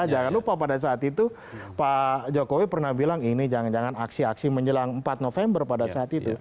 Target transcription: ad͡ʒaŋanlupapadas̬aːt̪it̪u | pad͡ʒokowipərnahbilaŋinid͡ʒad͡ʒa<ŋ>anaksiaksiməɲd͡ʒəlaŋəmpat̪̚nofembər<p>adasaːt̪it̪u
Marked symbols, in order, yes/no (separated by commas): yes, yes